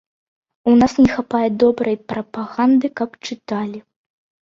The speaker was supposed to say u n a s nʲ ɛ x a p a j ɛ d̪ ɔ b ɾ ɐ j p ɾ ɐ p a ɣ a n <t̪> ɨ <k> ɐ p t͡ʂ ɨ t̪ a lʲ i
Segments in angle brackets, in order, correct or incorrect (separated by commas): incorrect, correct